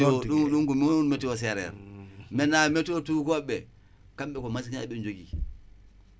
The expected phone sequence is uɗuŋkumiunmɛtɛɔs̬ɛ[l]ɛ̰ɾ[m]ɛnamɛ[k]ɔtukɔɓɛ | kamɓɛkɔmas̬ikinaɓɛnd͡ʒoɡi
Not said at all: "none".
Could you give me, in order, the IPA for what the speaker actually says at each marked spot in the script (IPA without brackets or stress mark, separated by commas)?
ɾ, m, t